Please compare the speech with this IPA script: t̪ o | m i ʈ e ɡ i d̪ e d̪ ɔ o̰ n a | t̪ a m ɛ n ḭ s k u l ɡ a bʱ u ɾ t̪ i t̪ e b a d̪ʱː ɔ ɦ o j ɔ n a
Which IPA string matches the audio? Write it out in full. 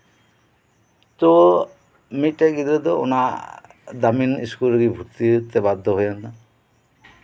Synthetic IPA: t̪ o | m i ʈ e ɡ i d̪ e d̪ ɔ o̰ n a | d̪ a m i n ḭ s k u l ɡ i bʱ u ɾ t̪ i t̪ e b a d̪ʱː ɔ ɦ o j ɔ n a